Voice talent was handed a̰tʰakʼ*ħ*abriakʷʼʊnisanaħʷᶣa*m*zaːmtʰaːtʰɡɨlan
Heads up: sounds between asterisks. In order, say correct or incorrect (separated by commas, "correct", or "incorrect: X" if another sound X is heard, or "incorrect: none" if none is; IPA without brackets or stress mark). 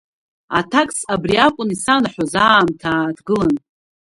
incorrect: s, incorrect: none